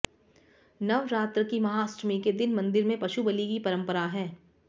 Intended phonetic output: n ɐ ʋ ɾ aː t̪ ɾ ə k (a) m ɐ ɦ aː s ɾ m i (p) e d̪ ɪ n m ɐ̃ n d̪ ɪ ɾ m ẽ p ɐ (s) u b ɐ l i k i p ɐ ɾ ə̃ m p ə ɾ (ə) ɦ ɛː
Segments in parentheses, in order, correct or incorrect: incorrect: i, incorrect: k, incorrect: ʃ, incorrect: a

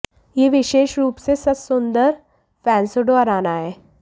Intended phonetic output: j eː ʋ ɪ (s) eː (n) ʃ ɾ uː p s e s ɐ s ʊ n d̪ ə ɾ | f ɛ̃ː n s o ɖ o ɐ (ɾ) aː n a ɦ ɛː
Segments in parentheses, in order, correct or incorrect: incorrect: ʃ, incorrect: none, correct

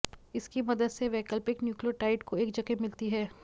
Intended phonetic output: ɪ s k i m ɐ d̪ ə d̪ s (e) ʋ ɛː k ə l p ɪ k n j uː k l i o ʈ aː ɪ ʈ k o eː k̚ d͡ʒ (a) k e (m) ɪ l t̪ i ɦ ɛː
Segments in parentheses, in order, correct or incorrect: correct, incorrect: ɐ, correct

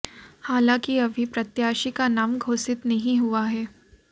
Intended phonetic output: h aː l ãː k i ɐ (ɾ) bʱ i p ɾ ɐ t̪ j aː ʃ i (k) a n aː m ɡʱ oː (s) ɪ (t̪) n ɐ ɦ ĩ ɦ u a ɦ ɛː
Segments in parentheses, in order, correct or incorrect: incorrect: none, correct, correct, correct

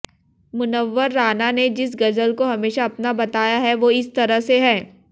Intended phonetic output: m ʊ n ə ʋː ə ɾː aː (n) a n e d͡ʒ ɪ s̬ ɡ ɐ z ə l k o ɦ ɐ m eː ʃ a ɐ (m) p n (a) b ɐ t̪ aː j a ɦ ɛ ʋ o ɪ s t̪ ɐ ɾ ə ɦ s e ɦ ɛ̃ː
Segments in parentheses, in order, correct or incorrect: correct, incorrect: none, correct

